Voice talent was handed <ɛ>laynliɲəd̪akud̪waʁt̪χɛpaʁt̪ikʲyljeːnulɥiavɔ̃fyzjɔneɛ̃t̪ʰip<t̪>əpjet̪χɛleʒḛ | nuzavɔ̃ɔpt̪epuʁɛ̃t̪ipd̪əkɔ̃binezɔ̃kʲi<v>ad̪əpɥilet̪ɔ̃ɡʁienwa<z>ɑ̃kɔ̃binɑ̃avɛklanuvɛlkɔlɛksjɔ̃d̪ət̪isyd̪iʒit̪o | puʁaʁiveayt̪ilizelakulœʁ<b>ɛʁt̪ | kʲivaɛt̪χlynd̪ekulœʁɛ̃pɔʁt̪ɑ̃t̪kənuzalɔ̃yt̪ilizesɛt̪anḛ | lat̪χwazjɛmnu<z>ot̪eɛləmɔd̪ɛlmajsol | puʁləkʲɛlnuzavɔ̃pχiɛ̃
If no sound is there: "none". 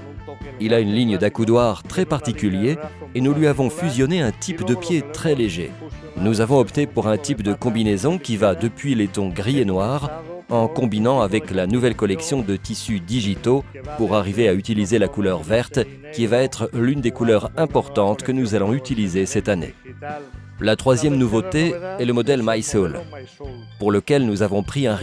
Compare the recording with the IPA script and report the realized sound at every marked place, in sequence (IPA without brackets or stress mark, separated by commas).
i, d̪, v, ʁ, v, v